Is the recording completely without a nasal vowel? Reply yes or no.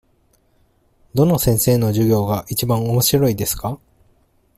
no